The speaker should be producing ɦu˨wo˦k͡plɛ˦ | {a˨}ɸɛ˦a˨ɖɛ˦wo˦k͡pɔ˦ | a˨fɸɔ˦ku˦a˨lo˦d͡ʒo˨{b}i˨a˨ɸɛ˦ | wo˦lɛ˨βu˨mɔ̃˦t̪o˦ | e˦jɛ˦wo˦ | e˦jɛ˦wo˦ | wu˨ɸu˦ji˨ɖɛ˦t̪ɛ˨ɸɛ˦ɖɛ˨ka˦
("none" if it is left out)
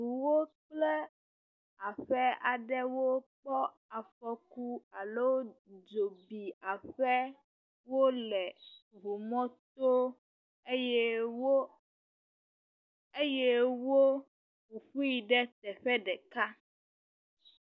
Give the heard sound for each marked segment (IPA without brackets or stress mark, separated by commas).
a˨, b